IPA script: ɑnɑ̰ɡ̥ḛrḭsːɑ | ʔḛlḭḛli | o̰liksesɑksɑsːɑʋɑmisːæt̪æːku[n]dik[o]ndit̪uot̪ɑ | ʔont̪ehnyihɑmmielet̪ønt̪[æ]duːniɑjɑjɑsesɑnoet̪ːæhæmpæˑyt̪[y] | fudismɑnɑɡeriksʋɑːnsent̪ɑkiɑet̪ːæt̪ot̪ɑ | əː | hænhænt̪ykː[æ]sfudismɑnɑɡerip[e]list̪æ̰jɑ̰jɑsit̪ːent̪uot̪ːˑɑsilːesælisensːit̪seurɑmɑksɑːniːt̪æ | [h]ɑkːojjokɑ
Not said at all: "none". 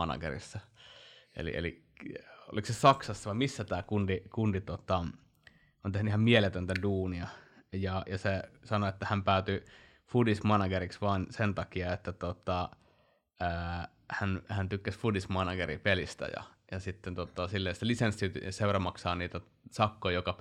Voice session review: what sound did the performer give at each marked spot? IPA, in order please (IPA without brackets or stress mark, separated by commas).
n, u, æ, y, æ, e, s